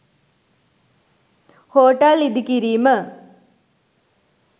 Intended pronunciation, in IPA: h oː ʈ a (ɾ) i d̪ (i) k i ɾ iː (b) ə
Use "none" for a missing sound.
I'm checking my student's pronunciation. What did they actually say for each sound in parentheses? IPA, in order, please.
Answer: l, i, m

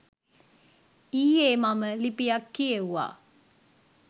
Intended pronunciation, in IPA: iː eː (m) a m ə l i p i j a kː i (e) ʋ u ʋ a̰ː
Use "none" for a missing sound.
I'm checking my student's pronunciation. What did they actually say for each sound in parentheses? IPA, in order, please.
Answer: m, e

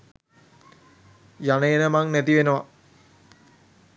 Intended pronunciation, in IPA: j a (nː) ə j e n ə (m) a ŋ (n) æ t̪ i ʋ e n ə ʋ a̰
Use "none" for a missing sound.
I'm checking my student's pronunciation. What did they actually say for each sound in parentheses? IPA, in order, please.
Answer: n, m, n

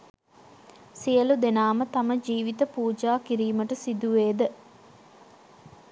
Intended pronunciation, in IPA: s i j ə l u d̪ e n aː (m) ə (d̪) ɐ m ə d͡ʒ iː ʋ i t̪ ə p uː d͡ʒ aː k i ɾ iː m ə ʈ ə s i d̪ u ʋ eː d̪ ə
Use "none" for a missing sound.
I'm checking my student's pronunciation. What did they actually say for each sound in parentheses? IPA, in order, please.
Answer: m, t̪

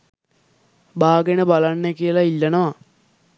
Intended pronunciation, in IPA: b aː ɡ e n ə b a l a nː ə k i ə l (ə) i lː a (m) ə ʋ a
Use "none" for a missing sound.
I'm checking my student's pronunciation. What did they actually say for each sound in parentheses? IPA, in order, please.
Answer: a, n

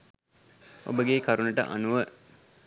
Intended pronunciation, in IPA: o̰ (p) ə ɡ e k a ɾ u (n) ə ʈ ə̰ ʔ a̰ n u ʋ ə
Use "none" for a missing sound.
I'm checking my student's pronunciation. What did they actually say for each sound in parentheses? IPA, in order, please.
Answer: b, n

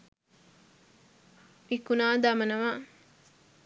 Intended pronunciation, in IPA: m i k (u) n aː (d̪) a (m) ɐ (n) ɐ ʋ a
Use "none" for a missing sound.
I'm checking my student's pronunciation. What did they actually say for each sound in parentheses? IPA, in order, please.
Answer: u, d̪, m, n

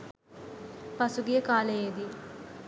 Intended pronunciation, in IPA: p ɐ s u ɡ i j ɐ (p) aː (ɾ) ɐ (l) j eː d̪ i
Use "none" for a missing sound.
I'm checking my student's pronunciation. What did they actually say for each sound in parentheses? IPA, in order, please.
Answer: k, l, none

